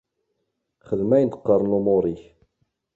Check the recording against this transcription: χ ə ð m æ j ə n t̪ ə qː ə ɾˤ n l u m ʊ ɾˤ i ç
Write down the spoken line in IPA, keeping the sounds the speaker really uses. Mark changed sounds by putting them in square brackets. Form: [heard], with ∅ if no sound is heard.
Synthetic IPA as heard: χ ə ð m æ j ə n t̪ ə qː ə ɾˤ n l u m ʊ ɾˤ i ç